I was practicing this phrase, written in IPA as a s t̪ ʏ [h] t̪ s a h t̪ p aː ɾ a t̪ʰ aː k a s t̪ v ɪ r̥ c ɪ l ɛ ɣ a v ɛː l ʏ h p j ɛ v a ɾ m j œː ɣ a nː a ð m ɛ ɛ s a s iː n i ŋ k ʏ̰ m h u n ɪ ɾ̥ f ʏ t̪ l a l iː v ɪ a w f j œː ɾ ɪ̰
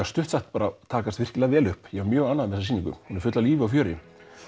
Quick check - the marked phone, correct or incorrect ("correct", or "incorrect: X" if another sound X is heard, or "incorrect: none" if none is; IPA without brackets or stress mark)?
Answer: correct